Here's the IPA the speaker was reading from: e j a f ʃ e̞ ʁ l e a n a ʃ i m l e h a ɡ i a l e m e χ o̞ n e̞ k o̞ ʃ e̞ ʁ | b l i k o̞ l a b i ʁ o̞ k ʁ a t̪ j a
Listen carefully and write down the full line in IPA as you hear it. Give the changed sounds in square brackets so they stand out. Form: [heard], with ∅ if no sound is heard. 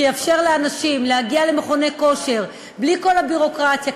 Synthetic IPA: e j a f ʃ e̞ ʁ l e a n a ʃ i m l e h a ɡ i a l e m e χ o̞ n e̞ k o̞ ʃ e̞ ʁ | b l i k o̞ l a b i ʁ o̞ k ʁ a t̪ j a